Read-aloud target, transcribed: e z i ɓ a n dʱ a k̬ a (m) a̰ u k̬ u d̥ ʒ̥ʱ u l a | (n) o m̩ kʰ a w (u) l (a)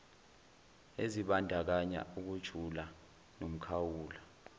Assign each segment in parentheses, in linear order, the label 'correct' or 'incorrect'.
incorrect: ɲ, correct, incorrect: uː, correct

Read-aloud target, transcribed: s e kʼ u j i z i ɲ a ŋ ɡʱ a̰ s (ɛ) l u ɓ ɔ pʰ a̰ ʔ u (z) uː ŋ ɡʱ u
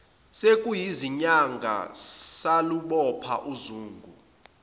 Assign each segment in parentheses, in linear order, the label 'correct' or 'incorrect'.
incorrect: a, correct

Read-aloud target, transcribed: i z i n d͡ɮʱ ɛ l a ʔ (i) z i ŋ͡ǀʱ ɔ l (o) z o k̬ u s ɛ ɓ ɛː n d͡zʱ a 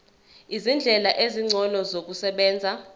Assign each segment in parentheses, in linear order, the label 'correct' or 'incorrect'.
incorrect: e, incorrect: ɔ

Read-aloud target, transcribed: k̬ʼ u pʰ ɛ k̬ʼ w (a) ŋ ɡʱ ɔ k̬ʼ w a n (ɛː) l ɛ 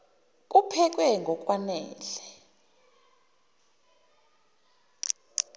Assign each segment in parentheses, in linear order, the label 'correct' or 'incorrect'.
incorrect: ɛ, correct

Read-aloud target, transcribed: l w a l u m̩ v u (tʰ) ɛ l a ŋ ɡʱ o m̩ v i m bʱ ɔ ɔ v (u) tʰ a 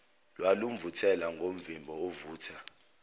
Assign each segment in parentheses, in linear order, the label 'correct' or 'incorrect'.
correct, incorrect: uː

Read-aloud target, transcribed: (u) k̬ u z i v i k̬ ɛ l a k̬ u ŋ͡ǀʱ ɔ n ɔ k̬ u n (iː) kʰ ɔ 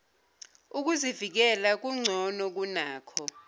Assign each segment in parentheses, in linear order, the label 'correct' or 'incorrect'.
correct, incorrect: aː

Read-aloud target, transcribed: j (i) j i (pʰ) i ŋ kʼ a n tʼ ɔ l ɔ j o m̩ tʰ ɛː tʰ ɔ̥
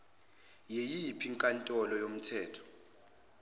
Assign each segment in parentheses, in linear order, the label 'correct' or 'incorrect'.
incorrect: e, correct

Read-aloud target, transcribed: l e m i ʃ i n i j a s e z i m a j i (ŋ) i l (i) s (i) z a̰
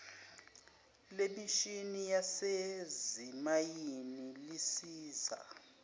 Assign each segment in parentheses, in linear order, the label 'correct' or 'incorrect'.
incorrect: n, correct, incorrect: iː

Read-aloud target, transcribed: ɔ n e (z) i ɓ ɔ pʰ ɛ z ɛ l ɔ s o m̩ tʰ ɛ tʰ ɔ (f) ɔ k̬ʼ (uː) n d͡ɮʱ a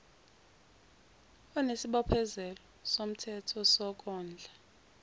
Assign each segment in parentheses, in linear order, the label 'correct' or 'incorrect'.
incorrect: s, incorrect: s, incorrect: ɔː

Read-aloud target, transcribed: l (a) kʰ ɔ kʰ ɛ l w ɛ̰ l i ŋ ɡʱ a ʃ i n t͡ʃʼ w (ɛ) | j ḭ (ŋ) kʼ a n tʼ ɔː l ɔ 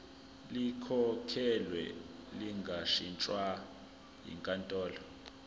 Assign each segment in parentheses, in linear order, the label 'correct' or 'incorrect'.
incorrect: i, incorrect: a, correct

